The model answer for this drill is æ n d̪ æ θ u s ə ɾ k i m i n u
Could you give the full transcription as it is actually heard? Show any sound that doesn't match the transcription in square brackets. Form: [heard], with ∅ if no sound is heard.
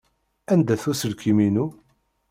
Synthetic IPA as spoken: æ n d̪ æ θ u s ə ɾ k i m i n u